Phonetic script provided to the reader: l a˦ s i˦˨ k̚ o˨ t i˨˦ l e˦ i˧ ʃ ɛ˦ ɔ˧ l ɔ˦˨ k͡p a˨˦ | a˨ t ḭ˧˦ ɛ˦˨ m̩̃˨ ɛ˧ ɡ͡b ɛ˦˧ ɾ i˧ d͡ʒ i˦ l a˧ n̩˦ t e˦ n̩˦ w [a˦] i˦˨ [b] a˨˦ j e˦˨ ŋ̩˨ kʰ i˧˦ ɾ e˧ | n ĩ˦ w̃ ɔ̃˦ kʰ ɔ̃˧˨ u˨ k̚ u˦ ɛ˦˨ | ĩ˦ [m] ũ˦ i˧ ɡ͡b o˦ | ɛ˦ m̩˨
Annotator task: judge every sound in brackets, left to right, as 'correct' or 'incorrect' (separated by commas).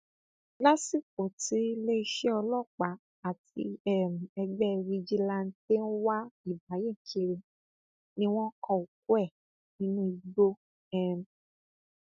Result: correct, correct, incorrect